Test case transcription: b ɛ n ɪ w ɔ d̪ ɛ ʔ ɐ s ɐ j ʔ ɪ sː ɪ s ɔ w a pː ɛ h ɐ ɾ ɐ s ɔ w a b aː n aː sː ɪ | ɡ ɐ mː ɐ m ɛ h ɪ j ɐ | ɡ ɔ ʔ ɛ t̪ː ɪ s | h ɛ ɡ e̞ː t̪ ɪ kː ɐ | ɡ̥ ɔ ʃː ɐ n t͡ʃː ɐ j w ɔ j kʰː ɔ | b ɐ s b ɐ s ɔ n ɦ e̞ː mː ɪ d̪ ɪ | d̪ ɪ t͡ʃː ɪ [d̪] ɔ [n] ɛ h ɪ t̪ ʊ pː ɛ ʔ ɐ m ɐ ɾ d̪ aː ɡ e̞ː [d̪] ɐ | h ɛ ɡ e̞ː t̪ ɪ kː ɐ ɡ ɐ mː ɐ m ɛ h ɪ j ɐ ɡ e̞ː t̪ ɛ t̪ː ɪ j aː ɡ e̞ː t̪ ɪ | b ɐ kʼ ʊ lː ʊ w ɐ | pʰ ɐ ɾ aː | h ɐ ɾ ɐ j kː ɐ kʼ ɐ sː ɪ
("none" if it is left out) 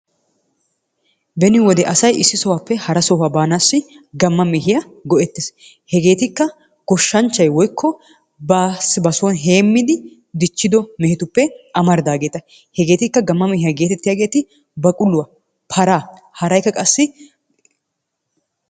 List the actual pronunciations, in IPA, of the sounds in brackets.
d̪, m, t̪

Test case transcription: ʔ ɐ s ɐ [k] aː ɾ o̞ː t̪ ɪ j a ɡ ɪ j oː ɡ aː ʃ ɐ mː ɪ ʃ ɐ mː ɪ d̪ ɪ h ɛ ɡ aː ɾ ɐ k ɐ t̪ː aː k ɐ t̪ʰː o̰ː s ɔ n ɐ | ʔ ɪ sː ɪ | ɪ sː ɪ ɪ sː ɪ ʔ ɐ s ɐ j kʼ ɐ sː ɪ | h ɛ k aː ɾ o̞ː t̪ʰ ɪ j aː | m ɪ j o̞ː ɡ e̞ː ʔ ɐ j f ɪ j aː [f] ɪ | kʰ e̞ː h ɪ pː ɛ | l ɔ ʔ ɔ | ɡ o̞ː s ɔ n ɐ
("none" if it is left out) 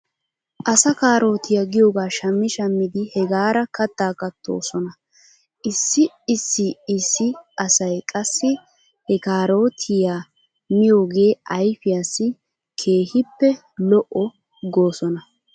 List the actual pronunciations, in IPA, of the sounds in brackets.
k, s

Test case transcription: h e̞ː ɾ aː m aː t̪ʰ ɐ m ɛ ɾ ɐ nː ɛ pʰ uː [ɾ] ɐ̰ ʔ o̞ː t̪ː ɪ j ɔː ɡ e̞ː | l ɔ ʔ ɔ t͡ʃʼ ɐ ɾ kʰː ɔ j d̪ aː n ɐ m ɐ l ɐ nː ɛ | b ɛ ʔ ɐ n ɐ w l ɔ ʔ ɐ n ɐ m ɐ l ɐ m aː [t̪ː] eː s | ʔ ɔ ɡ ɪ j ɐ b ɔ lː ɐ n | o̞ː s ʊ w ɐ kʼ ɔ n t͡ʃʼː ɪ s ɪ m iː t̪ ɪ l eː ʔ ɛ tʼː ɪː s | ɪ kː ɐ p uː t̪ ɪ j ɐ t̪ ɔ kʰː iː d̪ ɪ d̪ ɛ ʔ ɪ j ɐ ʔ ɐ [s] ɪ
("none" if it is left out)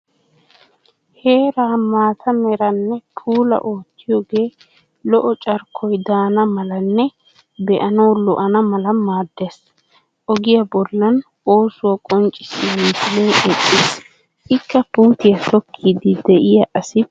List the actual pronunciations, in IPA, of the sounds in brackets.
l, d̪ː, s

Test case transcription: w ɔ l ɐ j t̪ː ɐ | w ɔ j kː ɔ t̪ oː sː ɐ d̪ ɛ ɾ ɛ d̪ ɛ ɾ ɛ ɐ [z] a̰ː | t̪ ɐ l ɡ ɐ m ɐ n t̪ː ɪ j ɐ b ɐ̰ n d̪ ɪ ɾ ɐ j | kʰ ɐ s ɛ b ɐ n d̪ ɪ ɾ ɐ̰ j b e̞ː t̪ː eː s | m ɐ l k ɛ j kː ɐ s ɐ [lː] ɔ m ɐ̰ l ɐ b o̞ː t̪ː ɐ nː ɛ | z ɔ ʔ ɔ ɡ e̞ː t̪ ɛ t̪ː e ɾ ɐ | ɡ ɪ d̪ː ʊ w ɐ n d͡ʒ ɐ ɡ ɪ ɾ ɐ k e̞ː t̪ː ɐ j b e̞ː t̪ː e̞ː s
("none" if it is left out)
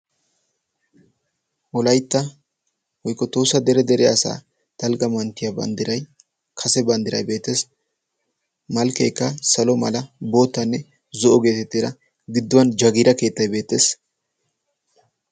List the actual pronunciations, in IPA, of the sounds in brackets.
s, l

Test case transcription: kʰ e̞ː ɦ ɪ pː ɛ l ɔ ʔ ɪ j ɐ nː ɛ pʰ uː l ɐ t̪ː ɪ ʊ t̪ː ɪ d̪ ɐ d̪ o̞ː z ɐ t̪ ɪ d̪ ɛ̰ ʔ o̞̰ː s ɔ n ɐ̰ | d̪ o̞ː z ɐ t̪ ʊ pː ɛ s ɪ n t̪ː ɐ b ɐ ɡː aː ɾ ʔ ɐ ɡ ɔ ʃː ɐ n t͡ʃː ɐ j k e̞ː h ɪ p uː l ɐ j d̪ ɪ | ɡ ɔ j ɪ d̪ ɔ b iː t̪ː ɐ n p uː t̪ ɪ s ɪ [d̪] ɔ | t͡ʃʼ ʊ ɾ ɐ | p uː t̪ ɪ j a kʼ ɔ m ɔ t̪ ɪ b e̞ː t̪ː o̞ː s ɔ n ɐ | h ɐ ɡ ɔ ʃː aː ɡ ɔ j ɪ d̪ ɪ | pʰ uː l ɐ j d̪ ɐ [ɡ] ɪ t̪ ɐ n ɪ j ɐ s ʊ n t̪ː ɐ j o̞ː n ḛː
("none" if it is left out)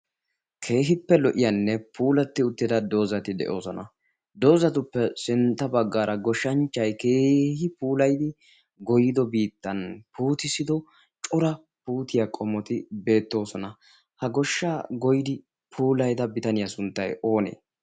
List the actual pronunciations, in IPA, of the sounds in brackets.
d̪, b

